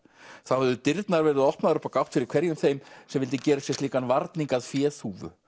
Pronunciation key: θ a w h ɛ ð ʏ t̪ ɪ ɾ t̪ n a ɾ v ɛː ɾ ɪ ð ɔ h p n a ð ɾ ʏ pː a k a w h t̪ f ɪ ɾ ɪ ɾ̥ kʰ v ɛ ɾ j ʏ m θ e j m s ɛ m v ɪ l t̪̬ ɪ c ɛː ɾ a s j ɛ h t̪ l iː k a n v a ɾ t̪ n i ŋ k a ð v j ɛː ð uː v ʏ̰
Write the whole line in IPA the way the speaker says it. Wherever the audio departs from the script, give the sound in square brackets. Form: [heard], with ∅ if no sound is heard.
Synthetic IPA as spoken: θ a w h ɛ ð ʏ t̪ ɪ ɾ t̪ n a ɾ v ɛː ɾ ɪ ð ɔ h p n a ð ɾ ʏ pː a k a w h t̪ f ɪ ɾ ɪ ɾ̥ kʰ v ɛ ɾ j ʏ m θ e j m s ɛ m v ɪ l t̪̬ ɪ c ɛː ɾ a s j ɛ [s] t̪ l iː k a n v a ɾ t̪ n i ŋ k a ð [f] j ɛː [θ] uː v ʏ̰